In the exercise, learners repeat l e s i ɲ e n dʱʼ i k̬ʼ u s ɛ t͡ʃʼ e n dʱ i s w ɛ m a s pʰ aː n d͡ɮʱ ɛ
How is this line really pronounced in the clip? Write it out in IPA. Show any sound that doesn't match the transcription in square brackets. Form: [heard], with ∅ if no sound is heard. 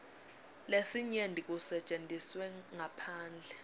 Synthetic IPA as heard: l e s i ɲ e n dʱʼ i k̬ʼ u s ɛ t͡ʃʼ e n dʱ i s w ɛ [ŋ] a [∅] pʰ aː n d͡ɮʱ ɛ